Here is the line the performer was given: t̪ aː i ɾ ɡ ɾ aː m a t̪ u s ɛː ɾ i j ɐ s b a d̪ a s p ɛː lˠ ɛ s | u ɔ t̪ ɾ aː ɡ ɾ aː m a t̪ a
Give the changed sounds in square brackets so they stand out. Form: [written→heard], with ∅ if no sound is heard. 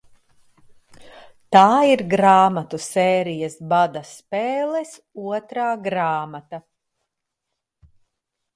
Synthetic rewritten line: t̪ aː i ɾ ɡ ɾ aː m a t̪ u s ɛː ɾ i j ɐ s b a d̪ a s p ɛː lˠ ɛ s | u ɔ t̪ ɾ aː ɡ ɾ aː m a t̪ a